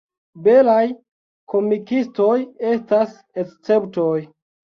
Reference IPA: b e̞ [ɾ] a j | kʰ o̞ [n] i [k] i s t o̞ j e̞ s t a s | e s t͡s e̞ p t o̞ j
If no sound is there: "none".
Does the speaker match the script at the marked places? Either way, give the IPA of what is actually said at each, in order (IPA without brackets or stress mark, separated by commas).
l, m, k